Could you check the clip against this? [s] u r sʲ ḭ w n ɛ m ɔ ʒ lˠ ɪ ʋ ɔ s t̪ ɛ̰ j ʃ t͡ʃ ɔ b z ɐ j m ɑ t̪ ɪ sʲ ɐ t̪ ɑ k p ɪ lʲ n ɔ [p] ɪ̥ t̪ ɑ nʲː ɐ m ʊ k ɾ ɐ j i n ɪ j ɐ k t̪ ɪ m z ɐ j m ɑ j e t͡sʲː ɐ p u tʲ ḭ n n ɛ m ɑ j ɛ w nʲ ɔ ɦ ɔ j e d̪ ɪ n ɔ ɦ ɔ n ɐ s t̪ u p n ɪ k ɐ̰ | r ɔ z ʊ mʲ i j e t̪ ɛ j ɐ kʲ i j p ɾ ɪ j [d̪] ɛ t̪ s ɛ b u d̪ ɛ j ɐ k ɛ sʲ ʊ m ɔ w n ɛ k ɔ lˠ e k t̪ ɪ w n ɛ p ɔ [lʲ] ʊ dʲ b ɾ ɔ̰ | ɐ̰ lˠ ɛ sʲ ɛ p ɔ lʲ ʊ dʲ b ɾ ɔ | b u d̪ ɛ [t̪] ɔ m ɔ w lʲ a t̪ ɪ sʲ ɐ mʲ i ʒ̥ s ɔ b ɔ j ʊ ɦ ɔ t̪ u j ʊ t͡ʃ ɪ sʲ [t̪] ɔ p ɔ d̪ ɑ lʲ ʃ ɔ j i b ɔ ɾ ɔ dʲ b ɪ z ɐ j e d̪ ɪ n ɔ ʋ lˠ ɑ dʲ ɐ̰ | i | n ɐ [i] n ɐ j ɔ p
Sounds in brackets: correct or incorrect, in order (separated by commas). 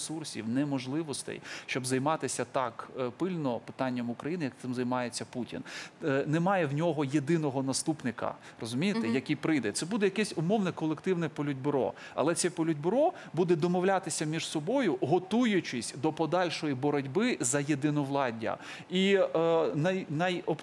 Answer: correct, correct, correct, correct, incorrect, incorrect, incorrect